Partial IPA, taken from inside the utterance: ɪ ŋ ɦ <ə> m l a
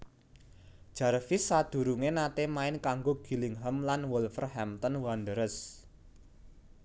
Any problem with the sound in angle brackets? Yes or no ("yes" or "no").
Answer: no